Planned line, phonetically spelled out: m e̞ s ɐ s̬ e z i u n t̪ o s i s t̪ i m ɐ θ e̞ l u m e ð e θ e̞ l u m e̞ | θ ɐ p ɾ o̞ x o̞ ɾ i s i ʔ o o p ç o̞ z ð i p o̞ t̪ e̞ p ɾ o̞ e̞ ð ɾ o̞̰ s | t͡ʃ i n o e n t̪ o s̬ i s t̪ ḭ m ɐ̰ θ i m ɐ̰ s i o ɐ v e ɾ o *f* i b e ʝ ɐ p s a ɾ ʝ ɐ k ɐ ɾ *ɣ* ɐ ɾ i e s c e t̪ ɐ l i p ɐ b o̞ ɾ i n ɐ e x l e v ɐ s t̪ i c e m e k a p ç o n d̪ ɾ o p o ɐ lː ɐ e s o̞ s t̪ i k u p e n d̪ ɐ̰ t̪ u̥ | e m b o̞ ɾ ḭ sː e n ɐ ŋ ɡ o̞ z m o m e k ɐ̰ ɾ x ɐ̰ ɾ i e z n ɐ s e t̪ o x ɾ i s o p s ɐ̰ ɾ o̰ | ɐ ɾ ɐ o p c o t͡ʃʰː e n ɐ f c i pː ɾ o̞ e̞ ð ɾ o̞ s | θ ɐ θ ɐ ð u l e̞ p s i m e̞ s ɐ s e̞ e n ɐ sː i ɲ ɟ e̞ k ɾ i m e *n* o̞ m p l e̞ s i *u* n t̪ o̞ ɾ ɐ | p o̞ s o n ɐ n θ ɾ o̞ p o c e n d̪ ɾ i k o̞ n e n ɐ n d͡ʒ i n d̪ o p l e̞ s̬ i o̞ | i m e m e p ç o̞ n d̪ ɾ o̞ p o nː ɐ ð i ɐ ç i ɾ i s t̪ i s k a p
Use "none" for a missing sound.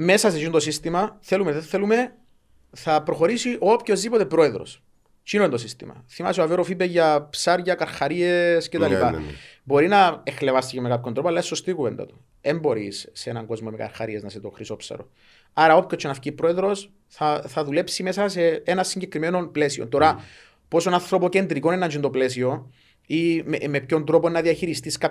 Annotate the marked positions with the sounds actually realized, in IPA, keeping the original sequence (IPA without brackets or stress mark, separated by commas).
f, x, n, o